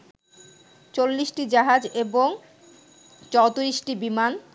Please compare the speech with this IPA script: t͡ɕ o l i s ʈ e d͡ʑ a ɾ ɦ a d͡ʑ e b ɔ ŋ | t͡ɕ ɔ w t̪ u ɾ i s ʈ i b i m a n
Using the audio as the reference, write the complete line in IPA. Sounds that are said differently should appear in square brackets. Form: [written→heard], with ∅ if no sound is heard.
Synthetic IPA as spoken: t͡ɕ o [l→lː] i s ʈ [e→i] d͡ʑ a [ɾ→∅] ɦ a d͡ʑ e b [ɔ→o] ŋ | t͡ɕ ɔ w t̪ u ɾ i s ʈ i b i m a n